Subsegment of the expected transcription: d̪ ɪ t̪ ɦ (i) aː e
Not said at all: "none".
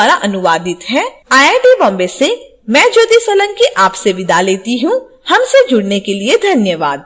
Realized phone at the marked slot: ɛ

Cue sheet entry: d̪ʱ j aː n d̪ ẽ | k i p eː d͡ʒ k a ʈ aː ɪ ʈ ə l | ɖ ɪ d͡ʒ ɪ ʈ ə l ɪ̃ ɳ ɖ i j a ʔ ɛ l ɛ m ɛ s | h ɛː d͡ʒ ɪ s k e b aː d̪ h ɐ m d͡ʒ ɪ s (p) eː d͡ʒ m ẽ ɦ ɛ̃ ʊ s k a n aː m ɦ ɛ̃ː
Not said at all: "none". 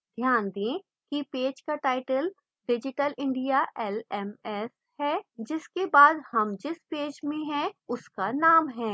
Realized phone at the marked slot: p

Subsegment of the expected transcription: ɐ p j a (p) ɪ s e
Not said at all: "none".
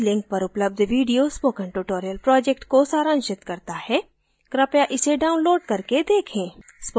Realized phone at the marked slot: ʔ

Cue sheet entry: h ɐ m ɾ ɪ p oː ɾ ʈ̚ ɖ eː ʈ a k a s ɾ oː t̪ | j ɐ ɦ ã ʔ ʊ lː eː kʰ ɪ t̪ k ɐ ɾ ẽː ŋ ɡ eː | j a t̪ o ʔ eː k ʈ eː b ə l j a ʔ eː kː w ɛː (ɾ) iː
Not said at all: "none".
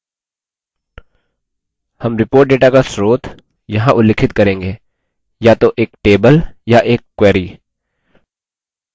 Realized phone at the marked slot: ɾ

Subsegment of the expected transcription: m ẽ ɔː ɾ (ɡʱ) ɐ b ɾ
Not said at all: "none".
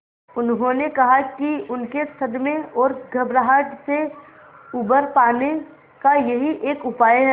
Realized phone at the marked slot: ɡʱ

